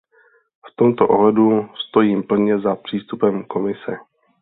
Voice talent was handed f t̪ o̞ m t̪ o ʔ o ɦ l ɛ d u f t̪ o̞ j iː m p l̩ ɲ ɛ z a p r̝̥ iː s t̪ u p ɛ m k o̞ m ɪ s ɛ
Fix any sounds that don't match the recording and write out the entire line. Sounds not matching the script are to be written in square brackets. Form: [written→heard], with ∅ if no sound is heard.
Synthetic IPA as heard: f t̪ o̞ m t̪ o ʔ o ɦ l ɛ d u [f→s] t̪ o̞ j iː m p l̩ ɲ ɛ z a p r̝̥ iː s t̪ u p ɛ m k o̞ m ɪ s ɛ